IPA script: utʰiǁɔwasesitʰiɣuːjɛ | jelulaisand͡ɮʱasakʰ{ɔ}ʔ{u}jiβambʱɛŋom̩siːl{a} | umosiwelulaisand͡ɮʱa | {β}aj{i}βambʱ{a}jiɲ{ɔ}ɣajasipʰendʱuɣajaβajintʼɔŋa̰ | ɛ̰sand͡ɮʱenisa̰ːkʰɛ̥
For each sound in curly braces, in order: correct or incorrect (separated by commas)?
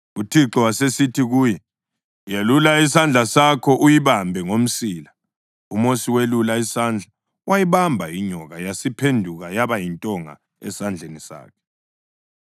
correct, correct, correct, incorrect, correct, correct, correct